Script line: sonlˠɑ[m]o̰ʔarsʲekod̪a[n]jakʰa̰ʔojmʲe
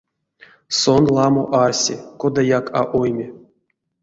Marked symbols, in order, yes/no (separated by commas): yes, no